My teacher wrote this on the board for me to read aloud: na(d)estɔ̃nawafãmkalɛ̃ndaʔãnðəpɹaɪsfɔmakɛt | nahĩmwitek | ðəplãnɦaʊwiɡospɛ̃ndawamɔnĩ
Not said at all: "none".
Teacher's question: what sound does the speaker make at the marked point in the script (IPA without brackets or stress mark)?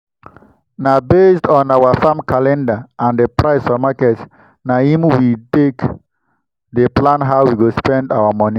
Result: b